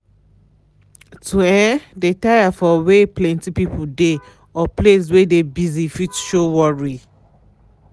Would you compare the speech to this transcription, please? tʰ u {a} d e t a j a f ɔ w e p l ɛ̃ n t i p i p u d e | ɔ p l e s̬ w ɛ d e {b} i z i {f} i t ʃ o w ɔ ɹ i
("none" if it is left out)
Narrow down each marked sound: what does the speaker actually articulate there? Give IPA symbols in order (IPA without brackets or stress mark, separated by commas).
ɛ, b, f